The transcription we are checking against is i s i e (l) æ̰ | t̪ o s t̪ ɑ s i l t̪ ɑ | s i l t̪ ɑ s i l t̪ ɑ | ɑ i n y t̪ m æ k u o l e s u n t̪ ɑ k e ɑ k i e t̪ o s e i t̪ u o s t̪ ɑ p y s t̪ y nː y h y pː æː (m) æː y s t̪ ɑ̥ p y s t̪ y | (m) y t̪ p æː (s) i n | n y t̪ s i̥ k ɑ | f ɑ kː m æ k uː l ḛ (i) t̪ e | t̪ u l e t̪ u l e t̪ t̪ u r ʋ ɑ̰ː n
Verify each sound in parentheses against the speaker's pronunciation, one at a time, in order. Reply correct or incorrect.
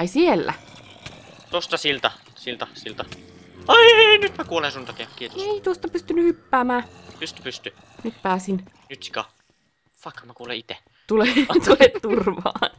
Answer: incorrect: lː, correct, incorrect: n, correct, correct

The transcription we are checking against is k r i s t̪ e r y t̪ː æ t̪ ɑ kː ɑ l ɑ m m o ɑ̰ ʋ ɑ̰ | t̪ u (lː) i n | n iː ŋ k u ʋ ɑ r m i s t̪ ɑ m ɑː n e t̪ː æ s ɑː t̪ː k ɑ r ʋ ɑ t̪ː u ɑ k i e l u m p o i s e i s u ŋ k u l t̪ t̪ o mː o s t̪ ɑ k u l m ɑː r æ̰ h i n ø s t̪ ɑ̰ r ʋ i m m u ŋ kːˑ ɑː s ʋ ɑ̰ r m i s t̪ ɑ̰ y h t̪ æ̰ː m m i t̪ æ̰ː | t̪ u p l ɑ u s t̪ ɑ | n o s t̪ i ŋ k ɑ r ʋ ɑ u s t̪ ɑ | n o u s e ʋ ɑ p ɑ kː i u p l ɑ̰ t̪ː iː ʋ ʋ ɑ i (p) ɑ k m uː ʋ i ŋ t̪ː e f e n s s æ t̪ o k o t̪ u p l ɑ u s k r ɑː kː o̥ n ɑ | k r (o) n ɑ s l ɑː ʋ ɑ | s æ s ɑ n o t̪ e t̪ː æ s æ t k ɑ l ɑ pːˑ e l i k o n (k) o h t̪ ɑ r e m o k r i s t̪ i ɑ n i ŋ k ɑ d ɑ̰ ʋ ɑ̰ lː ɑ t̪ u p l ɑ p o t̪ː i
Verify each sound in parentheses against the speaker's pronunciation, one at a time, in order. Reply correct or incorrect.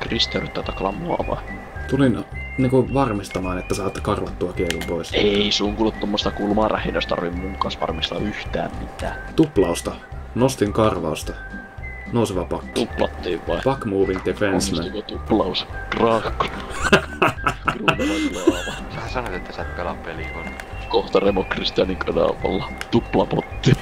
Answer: incorrect: l, correct, incorrect: u, correct

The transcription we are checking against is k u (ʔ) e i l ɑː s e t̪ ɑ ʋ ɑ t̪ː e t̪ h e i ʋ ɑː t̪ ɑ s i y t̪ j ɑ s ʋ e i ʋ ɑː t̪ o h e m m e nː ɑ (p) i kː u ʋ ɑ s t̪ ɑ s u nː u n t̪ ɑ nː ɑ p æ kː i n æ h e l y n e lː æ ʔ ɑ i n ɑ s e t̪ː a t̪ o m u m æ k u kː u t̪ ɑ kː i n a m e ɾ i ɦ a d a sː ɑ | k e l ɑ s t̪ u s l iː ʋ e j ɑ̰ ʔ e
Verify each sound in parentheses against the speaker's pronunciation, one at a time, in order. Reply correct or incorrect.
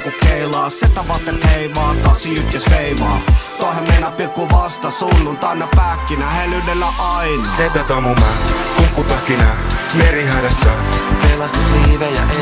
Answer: incorrect: k, correct

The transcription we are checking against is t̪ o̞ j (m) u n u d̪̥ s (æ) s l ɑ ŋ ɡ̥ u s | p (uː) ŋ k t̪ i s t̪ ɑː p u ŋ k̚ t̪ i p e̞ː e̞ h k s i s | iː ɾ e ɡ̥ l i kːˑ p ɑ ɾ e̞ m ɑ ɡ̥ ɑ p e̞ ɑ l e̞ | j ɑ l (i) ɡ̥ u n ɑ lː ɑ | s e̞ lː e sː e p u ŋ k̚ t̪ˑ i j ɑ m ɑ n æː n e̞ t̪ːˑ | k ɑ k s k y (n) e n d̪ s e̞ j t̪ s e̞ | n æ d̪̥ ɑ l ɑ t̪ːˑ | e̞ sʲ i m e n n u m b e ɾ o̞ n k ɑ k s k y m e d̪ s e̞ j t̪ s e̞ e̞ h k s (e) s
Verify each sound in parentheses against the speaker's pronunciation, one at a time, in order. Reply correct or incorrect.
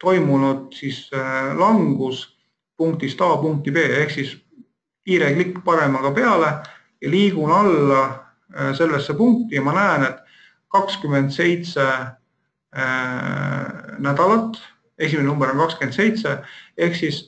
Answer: correct, incorrect: i, incorrect: u, incorrect: iː, incorrect: m, incorrect: i

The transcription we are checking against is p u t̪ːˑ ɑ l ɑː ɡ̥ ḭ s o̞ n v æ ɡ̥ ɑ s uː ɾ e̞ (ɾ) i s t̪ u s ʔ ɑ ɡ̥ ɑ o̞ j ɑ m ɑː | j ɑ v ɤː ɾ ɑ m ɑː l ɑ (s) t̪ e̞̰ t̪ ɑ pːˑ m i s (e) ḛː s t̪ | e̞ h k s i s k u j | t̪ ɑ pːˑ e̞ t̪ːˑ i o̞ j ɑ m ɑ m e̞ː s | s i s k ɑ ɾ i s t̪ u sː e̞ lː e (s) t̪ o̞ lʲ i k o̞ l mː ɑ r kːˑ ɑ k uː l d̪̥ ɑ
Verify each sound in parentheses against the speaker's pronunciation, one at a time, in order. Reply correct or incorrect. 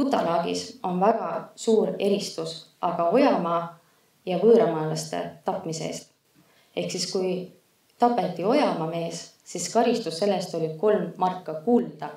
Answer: correct, correct, correct, correct

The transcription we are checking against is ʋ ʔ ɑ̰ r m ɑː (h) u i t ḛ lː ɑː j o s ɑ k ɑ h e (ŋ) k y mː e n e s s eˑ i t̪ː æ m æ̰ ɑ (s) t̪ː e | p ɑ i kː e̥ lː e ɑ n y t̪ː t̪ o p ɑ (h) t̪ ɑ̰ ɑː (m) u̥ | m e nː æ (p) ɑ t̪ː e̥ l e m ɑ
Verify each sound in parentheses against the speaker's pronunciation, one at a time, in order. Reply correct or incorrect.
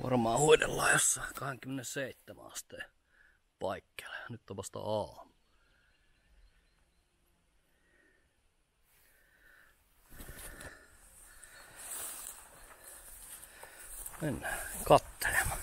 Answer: correct, correct, correct, incorrect: s, correct, incorrect: k

